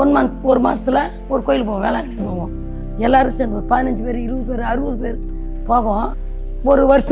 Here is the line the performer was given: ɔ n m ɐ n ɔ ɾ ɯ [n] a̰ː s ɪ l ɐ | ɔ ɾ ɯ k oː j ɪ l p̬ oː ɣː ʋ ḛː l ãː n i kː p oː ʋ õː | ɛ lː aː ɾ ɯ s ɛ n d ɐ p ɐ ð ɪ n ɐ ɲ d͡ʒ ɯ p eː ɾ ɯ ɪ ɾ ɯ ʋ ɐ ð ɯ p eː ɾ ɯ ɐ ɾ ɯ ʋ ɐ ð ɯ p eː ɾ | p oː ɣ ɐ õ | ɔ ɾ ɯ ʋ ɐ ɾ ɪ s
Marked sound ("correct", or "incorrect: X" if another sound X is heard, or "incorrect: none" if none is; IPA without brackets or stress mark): incorrect: m